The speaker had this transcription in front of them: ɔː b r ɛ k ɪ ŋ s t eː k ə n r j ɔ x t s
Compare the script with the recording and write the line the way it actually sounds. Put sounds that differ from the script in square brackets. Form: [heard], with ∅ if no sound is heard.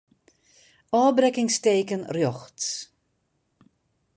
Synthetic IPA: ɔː b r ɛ k ɪ ŋ s t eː k ə n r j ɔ x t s